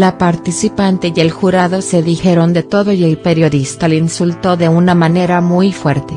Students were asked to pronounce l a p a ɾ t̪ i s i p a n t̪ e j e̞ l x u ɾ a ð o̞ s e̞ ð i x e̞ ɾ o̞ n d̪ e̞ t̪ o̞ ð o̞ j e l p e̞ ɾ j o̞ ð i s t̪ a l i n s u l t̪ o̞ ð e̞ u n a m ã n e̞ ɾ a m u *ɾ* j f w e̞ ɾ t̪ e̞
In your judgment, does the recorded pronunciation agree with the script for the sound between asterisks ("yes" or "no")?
no